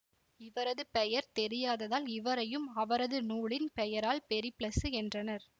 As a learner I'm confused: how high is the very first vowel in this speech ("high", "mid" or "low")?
high